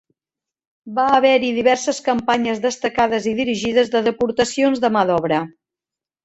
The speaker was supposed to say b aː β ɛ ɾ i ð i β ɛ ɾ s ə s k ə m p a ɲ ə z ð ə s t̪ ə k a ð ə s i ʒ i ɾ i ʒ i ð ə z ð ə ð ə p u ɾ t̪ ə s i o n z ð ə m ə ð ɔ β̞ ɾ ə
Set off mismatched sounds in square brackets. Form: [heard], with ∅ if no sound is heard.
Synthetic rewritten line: b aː β ɛ ɾ i ð i β ɛ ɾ s ə s k ə m p a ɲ ə z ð ə s t̪ ə k a ð ə [z] i [ð] i ɾ i ʒ i ð ə z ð ə ð ə p u ɾ t̪ ə s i o n z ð ə m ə ð ɔ β̞ ɾ ə